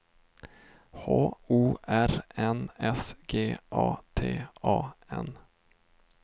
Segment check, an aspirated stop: present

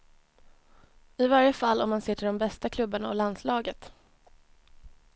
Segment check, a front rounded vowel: absent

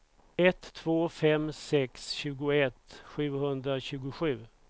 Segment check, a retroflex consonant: absent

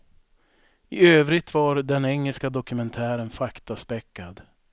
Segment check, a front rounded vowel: present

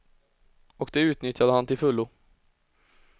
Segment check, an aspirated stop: absent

